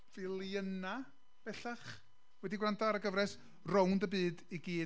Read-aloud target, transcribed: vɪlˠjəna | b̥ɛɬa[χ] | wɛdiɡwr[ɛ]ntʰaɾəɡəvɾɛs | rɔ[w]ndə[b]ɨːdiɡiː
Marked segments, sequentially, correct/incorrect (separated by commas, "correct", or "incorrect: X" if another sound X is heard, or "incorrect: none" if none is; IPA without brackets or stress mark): correct, incorrect: a, correct, correct